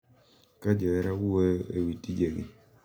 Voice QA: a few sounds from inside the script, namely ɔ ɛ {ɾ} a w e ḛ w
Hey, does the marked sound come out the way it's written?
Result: yes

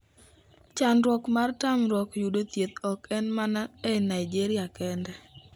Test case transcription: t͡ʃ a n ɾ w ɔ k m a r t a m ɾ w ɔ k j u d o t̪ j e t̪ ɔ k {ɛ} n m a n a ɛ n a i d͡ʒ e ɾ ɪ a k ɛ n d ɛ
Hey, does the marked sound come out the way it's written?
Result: yes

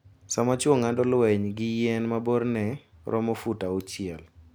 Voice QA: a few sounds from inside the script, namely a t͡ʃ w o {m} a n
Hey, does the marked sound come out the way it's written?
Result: no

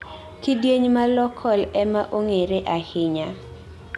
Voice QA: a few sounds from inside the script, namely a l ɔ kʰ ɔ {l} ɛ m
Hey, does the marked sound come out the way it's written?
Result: yes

